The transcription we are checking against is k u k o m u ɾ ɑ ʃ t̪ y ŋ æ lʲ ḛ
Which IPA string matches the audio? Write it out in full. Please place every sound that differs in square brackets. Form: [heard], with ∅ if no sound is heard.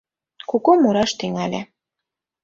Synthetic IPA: k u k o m u ɾ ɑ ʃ t̪ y ŋ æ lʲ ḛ